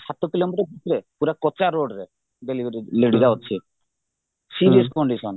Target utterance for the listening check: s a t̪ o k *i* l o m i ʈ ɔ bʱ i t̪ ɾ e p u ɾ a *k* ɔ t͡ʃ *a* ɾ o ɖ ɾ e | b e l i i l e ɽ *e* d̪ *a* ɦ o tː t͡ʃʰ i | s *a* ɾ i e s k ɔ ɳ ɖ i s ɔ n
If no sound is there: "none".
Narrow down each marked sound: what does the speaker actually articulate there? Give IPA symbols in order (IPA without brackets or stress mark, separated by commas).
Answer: i, k, a, i, a, i